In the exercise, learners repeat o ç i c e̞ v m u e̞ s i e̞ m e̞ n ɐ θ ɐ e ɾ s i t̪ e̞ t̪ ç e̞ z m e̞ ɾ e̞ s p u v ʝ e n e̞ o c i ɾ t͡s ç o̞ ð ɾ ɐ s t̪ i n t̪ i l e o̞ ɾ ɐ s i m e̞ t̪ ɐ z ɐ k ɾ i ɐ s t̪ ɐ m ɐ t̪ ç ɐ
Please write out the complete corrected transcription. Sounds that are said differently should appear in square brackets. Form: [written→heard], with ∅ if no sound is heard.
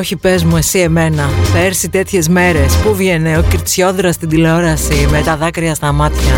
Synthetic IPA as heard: o ç i [c→p] e̞ [v→z] m u e̞ s i e̞ m e̞ n ɐ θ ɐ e ɾ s i t̪ e̞ t̪ ç e̞ z m e̞ ɾ e̞ s p u v ʝ e n e̞ o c i ɾ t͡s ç o̞ ð ɾ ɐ s t̪ i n [t̪→d̪] i l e o̞ ɾ ɐ s i m e̞ t̪ ɐ [z→ð] ɐ k ɾ i ɐ s t̪ ɐ m ɐ t̪ ç ɐ